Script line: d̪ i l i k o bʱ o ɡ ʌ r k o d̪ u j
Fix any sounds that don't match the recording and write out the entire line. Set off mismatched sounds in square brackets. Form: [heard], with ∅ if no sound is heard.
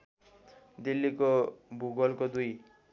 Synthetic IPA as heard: d̪ i [lː] i k o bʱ [u] ɡ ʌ [l] k o d̪ u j